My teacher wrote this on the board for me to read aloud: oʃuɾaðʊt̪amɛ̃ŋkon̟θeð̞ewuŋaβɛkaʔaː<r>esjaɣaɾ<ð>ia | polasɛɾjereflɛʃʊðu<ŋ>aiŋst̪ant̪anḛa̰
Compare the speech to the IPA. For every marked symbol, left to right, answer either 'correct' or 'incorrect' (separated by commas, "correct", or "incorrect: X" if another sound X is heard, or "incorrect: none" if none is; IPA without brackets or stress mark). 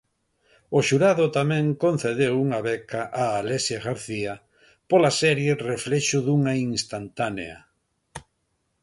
incorrect: l, incorrect: θ, correct